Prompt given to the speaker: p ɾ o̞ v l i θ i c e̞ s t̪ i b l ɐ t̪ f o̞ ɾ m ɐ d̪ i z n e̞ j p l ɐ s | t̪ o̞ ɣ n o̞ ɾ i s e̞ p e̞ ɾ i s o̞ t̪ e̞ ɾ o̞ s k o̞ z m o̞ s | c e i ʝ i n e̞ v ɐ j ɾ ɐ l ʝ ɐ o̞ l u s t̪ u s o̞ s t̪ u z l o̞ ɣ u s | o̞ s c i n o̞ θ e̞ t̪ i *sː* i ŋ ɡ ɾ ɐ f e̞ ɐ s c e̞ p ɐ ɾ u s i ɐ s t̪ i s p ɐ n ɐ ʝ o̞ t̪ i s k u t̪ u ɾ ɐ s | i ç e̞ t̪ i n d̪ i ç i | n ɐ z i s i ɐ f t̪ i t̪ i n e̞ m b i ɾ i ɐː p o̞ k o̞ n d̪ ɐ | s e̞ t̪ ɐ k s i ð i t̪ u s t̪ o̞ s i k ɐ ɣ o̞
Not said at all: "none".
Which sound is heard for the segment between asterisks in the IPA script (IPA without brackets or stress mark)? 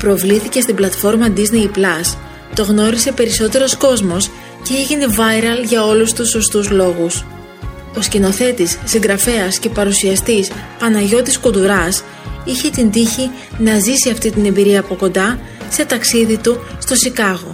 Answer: sː